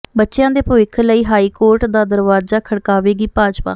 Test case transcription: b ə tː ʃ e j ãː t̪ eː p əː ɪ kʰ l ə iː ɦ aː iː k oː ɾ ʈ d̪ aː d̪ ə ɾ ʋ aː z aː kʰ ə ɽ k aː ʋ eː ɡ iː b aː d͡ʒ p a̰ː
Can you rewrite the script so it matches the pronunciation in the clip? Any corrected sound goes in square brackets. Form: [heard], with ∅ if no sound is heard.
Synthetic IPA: b ə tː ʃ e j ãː [d̪] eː p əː ɪ kʰ l ə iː ɦ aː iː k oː ɾ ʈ d̪ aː d̪ ə ɾ ʋ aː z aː kʰ ə ɽ k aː ʋ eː ɡ iː [p] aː d͡ʒ p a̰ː